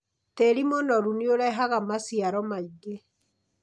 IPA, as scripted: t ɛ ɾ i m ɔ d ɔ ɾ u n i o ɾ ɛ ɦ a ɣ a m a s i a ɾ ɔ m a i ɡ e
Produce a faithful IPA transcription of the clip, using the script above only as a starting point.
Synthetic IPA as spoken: t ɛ ɾ i m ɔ n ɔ ɾ u n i o ɾ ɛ ɦ a ɣ a m a s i a ɾ ɔ m a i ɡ e